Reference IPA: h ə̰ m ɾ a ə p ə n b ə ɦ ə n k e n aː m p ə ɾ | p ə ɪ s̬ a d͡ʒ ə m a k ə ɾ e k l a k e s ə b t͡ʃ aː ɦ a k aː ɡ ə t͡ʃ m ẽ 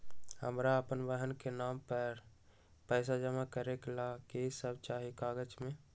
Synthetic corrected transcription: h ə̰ m ɾ a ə p ə n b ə ɦ ə n k e n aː m p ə ɾ | p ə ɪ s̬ a d͡ʒ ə m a k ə ɾ e k l a k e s ə b t͡ʃ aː ɦ i k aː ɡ ə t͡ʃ m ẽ